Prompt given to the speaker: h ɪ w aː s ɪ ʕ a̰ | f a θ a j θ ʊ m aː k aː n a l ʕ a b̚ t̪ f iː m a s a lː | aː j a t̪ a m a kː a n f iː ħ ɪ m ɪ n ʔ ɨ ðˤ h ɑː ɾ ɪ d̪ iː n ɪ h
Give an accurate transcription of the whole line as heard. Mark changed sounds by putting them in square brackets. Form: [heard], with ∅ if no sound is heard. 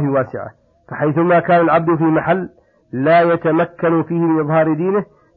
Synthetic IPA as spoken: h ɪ w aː s ɪ ʕ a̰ | f a [ħ] a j θ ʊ m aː k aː n a l ʕ a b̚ [d̪] f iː m a [ħ] a lː | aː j a t̪ a m a kː a n f iː [h] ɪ m ɪ n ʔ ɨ ðˤ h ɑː ɾ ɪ d̪ iː n ɪ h